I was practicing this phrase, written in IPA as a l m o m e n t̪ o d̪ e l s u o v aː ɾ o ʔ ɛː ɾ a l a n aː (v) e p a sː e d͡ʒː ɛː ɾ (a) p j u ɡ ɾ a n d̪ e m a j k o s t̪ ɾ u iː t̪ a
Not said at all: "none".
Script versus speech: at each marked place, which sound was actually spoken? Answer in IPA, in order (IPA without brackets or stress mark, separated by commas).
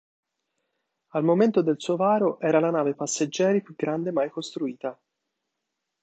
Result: v, i